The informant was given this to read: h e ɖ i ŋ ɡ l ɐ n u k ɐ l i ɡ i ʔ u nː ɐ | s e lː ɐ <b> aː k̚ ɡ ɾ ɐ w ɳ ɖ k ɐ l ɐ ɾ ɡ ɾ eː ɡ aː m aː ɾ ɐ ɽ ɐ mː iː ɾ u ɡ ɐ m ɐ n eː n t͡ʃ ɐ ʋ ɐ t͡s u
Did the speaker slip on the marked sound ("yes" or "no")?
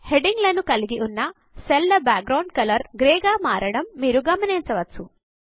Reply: no